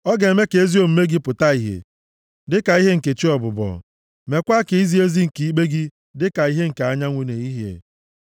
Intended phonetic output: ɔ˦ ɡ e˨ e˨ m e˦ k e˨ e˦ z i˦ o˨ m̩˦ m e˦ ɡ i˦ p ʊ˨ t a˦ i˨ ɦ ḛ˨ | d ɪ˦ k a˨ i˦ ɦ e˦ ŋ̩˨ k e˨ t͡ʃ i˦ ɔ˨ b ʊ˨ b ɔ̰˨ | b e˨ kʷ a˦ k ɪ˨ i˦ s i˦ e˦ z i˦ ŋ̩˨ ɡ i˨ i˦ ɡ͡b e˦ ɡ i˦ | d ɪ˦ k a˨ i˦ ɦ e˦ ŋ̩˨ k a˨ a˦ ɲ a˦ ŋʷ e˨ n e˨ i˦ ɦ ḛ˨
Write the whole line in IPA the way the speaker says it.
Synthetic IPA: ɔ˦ ɡ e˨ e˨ m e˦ k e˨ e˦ z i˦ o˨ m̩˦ m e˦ ɡ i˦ p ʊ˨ t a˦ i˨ ɦ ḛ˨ | d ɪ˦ k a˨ i˦ ɦ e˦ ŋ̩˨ k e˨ t͡ʃ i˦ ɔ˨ b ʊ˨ b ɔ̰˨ | m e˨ kʷ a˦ k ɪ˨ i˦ z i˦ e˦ z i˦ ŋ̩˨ k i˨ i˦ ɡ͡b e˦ ɡ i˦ | d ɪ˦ k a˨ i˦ ɦ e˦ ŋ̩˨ k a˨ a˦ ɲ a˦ ŋʷ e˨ n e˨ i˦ ɦ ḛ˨

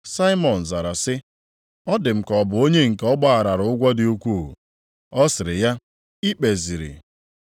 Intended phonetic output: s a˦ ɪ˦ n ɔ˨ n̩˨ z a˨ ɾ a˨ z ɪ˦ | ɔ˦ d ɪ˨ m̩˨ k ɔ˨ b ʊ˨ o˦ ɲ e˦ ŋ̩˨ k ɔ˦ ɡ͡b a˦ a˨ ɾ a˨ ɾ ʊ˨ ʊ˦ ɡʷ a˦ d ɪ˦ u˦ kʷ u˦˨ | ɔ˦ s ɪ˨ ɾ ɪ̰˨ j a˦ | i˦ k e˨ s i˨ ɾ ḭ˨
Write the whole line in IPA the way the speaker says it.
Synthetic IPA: s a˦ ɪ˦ m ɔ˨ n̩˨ z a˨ ɾ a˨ s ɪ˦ | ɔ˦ d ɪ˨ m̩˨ k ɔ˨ b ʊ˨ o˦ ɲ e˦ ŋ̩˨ k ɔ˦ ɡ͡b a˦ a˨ ɾ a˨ ɾ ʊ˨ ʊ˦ ɡʷ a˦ d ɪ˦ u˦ kʷ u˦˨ | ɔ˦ s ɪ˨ ɾ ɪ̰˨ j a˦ | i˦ k͡p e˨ z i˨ ɾ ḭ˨

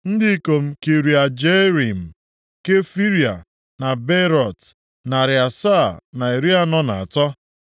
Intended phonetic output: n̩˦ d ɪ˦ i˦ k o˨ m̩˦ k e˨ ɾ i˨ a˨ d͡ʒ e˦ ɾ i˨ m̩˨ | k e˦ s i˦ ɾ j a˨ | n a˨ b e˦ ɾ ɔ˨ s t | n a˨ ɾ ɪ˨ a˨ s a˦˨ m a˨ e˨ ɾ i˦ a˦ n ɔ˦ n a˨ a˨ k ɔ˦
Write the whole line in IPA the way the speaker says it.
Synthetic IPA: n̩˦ d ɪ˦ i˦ k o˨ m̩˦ k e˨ ɾ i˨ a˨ d͡ʒ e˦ ɾ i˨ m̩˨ | k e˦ f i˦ ɾ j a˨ | n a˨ b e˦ ɾ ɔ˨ t | n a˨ ɾ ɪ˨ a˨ s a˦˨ n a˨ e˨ ɾ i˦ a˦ n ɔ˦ n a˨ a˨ t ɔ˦

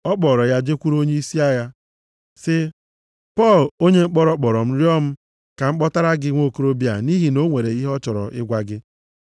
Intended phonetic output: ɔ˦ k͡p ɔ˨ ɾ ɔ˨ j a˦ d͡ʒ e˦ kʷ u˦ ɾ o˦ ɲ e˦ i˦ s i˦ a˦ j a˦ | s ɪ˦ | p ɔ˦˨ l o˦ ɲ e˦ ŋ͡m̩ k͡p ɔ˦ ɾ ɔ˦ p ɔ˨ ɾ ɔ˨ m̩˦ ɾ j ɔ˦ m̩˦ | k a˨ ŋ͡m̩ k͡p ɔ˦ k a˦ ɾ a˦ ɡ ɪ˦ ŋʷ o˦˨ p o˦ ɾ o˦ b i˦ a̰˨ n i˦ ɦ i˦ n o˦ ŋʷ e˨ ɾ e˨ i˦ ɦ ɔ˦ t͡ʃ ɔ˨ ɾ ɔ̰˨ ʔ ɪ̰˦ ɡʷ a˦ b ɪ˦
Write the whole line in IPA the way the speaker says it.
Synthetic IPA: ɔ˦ k͡p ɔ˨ ɾ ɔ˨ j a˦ d͡ʒ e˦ kʷ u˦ ɾ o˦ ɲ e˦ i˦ s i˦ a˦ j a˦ | s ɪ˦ | p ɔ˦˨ l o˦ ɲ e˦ ŋ͡m̩ k͡p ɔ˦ ɾ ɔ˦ k͡p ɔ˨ ɾ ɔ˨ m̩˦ ɾ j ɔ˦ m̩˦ | k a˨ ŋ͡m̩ k͡p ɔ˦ t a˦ ɾ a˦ ɡ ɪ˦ ŋʷ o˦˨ k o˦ ɾ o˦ b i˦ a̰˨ n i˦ ɦ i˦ n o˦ ŋʷ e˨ ɾ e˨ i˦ ɦ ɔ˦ t͡ʃ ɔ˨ ɾ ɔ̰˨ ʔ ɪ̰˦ ɡʷ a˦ ɡ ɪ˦

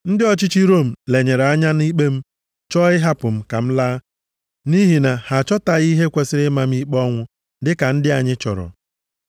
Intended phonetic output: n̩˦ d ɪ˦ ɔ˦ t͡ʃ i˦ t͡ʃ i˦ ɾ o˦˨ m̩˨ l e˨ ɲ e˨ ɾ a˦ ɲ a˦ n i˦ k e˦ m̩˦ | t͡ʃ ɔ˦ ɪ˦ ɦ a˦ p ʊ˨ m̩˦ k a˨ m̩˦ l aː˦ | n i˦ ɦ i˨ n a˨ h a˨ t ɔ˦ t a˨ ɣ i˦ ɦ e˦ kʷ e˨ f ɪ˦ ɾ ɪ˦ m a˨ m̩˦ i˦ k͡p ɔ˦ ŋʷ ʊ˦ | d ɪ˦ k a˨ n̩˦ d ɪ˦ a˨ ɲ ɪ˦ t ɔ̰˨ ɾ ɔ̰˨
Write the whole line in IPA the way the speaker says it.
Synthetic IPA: n̩˦ d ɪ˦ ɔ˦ t͡ʃ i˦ t͡ʃ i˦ ɾ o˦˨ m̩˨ l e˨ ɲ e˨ ɾ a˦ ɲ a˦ n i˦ k͡p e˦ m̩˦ | t͡ʃ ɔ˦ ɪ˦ ɦ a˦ p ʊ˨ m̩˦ k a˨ m̩˦ l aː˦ | n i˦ ɦ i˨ n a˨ h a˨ t͡ʃ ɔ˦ t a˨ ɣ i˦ ɦ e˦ kʷ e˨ s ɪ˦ ɾ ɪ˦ m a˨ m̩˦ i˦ k͡p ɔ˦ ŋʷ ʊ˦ | d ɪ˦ k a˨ n̩˦ d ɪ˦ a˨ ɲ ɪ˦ t͡ʃ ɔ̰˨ ɾ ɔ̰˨

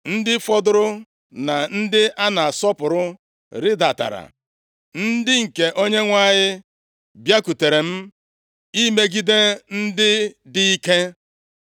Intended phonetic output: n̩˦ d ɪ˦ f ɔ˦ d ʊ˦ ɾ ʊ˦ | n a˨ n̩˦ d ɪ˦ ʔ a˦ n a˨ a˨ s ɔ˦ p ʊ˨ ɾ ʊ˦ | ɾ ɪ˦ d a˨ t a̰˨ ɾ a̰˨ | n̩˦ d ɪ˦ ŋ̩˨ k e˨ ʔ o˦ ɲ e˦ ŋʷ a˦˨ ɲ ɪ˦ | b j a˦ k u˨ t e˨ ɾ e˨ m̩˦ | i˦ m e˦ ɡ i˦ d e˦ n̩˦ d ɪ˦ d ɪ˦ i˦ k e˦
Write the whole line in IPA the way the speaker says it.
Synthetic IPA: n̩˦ d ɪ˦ f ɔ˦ d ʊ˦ ɾ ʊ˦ | n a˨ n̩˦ d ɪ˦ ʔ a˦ n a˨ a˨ s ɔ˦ p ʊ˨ ɾ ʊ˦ | ɾ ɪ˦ d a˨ t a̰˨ ɾ a̰˨ | n̩˦ d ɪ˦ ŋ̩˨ k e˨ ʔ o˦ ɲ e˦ ŋʷ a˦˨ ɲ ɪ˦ | b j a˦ k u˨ t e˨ ɾ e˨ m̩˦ | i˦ m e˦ ɡ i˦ d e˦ n̩˦ d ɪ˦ d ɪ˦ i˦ k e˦

